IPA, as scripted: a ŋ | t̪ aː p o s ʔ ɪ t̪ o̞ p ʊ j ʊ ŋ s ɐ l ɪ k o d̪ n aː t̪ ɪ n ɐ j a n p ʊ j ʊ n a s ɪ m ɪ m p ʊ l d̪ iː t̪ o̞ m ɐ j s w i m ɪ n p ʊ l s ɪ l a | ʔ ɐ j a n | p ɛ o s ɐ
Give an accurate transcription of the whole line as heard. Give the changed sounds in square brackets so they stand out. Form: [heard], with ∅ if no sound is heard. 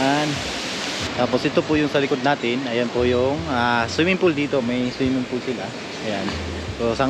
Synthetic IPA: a [n] | t̪ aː p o s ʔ ɪ t̪ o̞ p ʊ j ʊ ŋ s ɐ l ɪ k o d̪ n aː t̪ ɪ n ɐ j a n p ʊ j ʊ [ŋ] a s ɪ m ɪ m p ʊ l d̪ iː t̪ o̞ m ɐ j s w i m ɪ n p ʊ l s ɪ l a | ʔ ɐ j a n | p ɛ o s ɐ

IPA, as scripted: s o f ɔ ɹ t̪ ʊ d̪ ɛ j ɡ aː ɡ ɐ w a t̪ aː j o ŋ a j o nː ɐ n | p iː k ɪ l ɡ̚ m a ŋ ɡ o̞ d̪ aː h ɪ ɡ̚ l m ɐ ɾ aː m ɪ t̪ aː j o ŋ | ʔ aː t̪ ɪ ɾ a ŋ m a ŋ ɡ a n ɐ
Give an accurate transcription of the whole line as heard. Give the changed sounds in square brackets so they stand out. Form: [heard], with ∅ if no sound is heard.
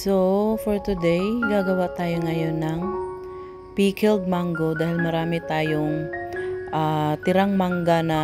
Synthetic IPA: s o f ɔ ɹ t̪ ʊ d̪ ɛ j ɡ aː ɡ ɐ w a t̪ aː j o ŋ [ɐ] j o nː ɐ [ŋ] | p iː k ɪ l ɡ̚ m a ŋ ɡ o̞ d̪ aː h ɪ [∅] l m ɐ ɾ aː m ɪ t̪ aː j o ŋ | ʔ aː t̪ ɪ ɾ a ŋ m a ŋ ɡ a n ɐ

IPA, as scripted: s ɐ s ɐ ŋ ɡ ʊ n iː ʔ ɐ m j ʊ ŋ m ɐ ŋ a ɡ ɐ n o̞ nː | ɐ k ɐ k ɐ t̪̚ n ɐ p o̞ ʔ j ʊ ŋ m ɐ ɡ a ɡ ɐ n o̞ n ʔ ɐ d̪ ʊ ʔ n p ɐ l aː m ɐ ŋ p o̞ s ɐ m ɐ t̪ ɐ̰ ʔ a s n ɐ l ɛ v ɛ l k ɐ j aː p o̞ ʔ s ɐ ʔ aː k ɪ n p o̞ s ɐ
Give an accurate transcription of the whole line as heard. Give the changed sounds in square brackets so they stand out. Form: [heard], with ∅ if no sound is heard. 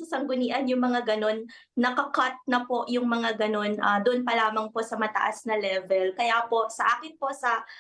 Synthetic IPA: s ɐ s ɐ ŋ ɡ ʊ n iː ʔ ɐ [n] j ʊ ŋ m ɐ ŋ a ɡ ɐ n o̞ nː | ɐ k ɐ k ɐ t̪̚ n ɐ p o̞ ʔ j ʊ ŋ m ɐ [ŋ] a ɡ ɐ n o̞ n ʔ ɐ d̪ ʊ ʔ n p ɐ l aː m ɐ ŋ p o̞ s ɐ m ɐ t̪ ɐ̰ ʔ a s n ɐ l ɛ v ɛ l k ɐ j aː p o̞ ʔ s ɐ ʔ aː k ɪ n p o̞ s ɐ

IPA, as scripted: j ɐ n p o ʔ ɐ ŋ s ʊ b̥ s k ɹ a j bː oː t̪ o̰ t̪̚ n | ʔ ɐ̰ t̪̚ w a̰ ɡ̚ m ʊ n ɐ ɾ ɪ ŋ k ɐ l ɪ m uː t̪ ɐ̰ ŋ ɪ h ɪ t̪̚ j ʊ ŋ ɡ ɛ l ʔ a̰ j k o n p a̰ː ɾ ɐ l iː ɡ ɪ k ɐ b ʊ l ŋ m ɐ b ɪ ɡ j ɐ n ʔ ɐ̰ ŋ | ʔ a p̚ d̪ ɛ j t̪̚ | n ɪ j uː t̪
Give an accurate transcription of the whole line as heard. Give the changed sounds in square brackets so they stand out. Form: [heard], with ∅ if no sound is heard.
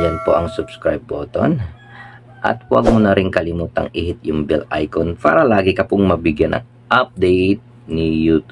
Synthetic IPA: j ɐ n p o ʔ ɐ ŋ s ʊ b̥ s k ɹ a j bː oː t̪ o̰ [∅] n | ʔ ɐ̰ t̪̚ w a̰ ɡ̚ m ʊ n ɐ ɾ ɪ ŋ k ɐ l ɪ m uː t̪ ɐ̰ ŋ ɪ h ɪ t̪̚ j ʊ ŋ [b] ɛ l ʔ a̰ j k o n p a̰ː ɾ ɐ l [aː] ɡ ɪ k ɐ [p] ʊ [∅] ŋ m ɐ b ɪ ɡ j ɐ n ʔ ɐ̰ ŋ | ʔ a p̚ d̪ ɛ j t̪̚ | n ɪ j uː t̪

